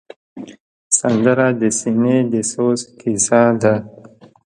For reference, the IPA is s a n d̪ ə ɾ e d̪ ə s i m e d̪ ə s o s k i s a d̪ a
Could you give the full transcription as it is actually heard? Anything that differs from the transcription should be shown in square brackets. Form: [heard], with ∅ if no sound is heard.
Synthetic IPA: s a n d̪ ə ɾ [a] d̪ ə s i [n] e d̪ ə s o s k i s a d̪ a